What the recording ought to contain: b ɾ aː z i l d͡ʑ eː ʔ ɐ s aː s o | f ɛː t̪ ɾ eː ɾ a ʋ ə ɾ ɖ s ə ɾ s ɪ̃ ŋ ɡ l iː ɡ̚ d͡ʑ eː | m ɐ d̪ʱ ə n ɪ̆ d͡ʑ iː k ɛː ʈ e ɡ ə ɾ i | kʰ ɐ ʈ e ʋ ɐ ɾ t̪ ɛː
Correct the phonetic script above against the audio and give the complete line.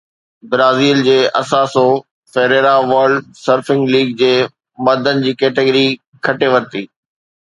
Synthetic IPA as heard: b ɾ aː z iː l d͡ʑ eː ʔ ɐ s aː s o | f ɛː ɾ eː ɾ a ʋ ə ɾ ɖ s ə ɾ f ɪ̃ ŋ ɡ l iː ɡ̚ d͡ʑ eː | m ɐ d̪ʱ ə n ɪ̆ d͡ʑ iː k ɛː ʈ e ɡ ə ɾ i | kʰ ɐ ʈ e ʋ ɐ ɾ t̪ iː